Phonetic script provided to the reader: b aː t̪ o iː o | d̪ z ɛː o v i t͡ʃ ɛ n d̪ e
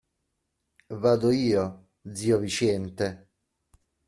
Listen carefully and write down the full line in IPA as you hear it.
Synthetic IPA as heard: v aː d̪ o iː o | d̪ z iː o v i t͡ʃ ɛ n t̪ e